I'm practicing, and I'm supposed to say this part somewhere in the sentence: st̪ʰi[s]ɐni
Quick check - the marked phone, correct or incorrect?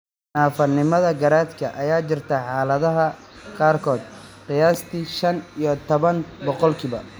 incorrect